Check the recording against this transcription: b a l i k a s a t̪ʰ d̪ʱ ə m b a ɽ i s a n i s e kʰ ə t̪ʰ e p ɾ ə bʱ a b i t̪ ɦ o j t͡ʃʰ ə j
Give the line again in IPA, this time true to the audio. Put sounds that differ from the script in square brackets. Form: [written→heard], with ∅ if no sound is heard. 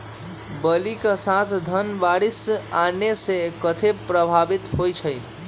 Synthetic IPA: b [a→ə] l i k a s a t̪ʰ d̪ʱ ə [m→n] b a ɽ i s a n [i→e] s e [kʰ→k] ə t̪ʰ e p ɾ ə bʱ a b i t̪ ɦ o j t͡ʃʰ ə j